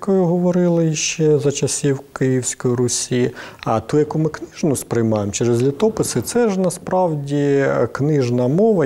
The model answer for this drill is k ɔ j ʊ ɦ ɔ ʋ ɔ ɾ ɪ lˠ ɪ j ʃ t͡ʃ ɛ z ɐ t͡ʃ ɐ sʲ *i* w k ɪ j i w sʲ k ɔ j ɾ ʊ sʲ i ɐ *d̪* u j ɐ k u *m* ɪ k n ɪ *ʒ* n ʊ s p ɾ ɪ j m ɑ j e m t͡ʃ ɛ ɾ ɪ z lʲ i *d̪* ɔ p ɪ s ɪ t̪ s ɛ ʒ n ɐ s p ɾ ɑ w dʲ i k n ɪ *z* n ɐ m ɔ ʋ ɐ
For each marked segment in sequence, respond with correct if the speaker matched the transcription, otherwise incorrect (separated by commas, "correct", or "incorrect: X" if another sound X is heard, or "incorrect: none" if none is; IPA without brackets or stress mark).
correct, incorrect: t̪, correct, correct, incorrect: t̪, incorrect: ʒ